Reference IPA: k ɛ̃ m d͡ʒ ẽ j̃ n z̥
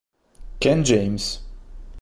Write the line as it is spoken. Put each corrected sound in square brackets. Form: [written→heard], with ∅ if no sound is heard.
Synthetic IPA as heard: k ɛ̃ [m→n] d͡ʒ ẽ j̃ [n→m] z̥